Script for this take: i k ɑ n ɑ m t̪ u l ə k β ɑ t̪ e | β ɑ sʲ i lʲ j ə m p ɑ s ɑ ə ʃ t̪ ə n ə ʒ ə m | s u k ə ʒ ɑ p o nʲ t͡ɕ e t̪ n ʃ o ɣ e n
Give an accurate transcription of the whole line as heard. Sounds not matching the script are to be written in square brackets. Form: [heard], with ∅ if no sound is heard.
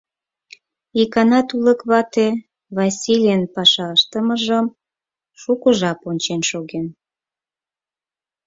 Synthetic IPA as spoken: i k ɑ n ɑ [∅] t̪ u l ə k β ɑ t̪ e | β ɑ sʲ i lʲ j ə [n] p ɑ [ʃ] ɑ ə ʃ t̪ ə [m] ə ʒ ə m | [ʃ] u k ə ʒ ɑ p o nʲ t͡ɕ e [∅] n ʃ o ɣ e n